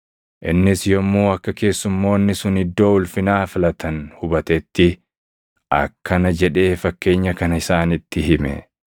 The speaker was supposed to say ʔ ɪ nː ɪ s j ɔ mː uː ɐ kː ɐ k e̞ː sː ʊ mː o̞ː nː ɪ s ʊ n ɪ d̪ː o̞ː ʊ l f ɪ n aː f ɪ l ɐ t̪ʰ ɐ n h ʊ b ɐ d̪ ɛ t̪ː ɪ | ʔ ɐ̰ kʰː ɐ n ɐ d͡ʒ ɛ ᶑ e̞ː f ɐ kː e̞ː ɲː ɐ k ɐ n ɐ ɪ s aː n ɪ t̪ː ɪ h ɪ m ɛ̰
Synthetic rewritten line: ʔ ɪ nː ɪ s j ɔ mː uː ɐ kː ɐ k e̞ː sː ʊ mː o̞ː nː ɪ s ʊ n ɪ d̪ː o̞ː ʊ l f ɪ n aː f ɪ l ɐ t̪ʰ ɐ n h ʊ b ɐ t̪ ɛ t̪ː ɪ | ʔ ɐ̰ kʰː ɐ n ɐ d͡ʒ ɛ ᶑ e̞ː f ɐ kː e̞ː ɲː ɐ k ɐ n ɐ ɪ s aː n ɪ t̪ː ɪ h ɪ m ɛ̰

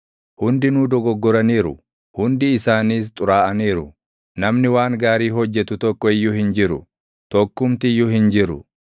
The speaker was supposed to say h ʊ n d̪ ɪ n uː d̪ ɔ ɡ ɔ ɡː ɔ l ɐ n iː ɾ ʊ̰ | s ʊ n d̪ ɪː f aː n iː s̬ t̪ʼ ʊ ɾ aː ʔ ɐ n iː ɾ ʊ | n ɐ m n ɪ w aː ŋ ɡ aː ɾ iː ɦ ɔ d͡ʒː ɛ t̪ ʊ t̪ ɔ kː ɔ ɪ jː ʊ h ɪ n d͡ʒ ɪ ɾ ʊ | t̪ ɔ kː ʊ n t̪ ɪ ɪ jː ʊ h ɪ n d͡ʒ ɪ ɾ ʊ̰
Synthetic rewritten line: h ʊ n d̪ ɪ n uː d̪ ɔ ɡ ɔ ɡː ɔ ɾ ɐ n iː ɾ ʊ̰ | h ʊ n d̪ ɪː s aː n iː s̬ t̪ʼ ʊ ɾ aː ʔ ɐ n iː ɾ ʊ | n ɐ m n ɪ w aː ŋ ɡ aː ɾ iː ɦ ɔ d͡ʒː ɛ t̪ ʊ t̪ ɔ kː ɔ ɪ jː ʊ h ɪ n d͡ʒ ɪ ɾ ʊ | t̪ ɔ kː ʊ m t̪ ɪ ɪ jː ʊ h ɪ n d͡ʒ ɪ ɾ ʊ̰

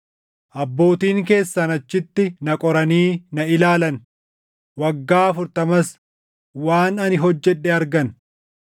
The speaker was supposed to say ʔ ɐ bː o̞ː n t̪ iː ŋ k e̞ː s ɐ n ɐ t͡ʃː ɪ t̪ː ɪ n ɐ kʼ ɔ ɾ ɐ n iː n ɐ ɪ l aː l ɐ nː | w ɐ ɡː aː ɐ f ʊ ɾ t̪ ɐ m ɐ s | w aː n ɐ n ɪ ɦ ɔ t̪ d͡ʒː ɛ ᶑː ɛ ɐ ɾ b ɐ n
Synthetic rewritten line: ʔ ɐ bː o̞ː t̪ iː ŋ k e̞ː sː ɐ n ɐ t͡ʃː ɪ t̪ː ɪ n ɐ kʼ ɔ ɾ ɐ n iː n ɐ ɪ l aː l ɐ n | w ɐ ɡː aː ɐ f ʊ ɾ t̪ ɐ m ɐ s | w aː n ɐ n ɪ ɦ ɔ d͡ʒː ɛ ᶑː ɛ ɐ ɾ ɡ ɐ n

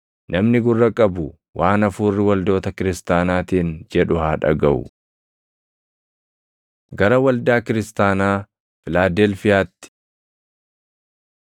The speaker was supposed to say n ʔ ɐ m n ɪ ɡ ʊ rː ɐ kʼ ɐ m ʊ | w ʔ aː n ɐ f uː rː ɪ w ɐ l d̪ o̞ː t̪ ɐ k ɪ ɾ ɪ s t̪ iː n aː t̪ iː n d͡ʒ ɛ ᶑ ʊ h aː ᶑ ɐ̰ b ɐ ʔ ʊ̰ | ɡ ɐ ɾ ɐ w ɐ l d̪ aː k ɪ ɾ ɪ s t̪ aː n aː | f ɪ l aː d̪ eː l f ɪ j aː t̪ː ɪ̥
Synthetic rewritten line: n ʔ ɐ m n ɪ ɡ ʊ rː ɐ kʼ ɐ b ʊ | w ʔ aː n ɐ f uː rː ɪ w ɐ l d̪ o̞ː t̪ ɐ k ɪ ɾ ɪ s t̪ aː n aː t̪ iː n d͡ʒ ɛ ᶑ ʊ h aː ᶑ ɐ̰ ɡ ɐ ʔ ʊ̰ | ɡ ɐ ɾ ɐ w ɐ l d̪ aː k ɪ ɾ ɪ s t̪ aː n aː | f ɪ l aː d̪ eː l f ɪ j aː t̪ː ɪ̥

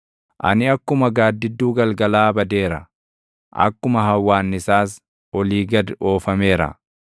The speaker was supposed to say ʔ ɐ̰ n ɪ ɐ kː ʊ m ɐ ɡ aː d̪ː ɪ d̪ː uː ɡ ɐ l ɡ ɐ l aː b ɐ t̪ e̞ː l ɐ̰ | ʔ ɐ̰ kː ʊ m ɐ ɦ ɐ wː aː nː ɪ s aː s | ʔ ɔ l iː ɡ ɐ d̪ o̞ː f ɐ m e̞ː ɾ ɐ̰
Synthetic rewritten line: ʔ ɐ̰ n ɪ ɐ kː ʊ m ɐ ɡ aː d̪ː ɪ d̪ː uː ɡ ɐ l ɡ ɐ l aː b ɐ d̪ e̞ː ɾ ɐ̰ | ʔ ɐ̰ kː ʊ m ɐ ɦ ɐ wː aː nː ɪ s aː s | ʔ ɔ l iː ɡ ɐ d̪ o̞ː f ɐ m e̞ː ɾ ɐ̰

